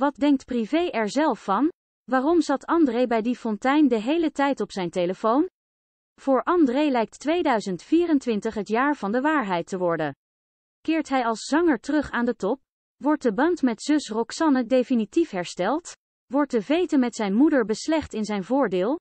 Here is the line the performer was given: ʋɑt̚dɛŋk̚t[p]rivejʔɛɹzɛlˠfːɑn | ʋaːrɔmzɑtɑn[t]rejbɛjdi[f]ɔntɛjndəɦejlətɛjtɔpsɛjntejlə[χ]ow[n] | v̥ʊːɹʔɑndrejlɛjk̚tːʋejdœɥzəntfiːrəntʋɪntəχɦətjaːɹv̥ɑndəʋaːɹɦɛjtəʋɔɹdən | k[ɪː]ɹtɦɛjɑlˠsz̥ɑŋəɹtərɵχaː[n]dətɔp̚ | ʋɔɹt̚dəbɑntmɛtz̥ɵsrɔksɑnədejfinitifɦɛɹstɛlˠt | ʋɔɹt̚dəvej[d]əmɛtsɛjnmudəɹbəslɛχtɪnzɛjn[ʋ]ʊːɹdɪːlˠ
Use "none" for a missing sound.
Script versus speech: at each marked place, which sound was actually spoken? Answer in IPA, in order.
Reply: p, d, f, f, n, ɪː, n, t, v

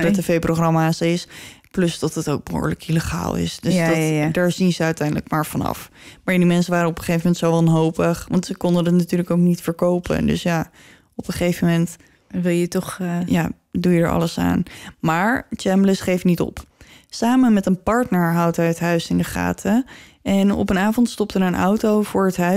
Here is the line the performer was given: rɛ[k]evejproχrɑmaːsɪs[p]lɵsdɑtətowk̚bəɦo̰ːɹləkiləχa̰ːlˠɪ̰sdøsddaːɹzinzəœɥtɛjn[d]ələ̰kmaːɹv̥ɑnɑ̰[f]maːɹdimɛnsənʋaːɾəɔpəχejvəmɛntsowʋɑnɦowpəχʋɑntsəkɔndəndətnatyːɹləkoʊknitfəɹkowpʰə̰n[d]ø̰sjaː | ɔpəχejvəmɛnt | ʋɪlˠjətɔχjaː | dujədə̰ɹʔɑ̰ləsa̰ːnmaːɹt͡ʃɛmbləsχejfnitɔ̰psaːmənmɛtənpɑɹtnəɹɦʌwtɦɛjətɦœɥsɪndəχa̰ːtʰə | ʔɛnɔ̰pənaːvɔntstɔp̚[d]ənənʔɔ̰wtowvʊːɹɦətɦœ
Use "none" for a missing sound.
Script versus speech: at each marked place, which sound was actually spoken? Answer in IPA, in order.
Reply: t, p, d, f, d, t

